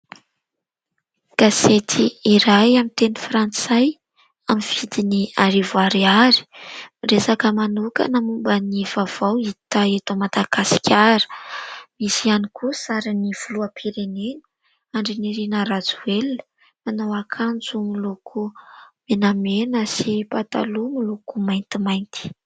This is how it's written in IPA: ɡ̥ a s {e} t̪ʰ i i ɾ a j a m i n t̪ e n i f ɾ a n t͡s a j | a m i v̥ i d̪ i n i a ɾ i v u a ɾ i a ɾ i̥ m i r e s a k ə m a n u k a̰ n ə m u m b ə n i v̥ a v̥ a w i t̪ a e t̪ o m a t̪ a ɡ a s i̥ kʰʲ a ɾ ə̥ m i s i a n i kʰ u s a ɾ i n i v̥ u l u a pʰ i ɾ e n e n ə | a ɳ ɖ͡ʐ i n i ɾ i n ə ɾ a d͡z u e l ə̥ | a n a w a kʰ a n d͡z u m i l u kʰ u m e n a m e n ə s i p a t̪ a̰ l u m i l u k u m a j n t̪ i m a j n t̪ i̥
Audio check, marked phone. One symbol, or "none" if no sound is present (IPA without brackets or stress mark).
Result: e